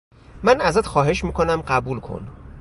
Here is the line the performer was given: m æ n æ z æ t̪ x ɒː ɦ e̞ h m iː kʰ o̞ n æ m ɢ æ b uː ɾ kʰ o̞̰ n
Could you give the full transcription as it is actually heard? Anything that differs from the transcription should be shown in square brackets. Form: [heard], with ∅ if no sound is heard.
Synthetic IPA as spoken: m æ n æ z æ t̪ x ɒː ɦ e̞ [ʃ] m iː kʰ o̞ n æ m ɢ æ b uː [l] kʰ o̞̰ n